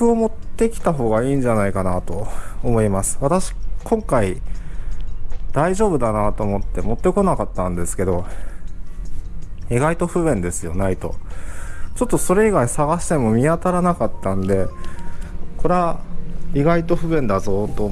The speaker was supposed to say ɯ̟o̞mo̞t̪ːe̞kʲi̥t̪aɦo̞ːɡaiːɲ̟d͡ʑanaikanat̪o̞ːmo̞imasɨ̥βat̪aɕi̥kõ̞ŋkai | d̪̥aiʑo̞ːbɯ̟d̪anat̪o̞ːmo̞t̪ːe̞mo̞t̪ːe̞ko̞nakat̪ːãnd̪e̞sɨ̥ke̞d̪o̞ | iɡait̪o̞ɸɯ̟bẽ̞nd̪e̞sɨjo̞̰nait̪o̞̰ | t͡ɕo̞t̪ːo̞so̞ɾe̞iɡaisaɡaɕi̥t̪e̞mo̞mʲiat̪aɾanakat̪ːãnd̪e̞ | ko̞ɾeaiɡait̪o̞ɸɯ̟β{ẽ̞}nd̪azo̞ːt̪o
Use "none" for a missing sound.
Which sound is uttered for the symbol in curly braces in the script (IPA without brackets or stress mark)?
ẽ̞